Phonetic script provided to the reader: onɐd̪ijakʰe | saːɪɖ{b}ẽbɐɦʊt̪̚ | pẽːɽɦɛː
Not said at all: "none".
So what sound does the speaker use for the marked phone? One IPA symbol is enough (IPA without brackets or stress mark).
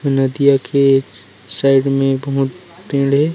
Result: m